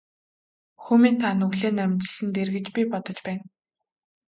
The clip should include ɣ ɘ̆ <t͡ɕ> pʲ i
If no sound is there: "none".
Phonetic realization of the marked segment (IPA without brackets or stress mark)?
t͡ɕ